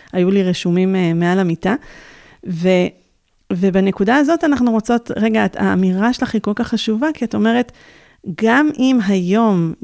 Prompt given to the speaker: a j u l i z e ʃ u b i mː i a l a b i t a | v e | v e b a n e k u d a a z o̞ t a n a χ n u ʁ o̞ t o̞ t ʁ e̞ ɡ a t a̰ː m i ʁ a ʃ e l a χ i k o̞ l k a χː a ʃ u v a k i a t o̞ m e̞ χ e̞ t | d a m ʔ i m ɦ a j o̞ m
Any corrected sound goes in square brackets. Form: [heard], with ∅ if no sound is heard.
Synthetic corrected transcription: a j u l i [ʁ] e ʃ u [m] i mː [e] a l a [m] i t a | v e | v e b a n e k u d a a z o̞ t a n a χ n u ʁ o̞ [t͡s] o̞ t ʁ e̞ ɡ a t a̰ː m i ʁ a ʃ e l a χ i k o̞ l k a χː a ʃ u v a k i a t o̞ m e̞ [ʁ] e̞ t | [ɡ] a m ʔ i m ɦ a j o̞ m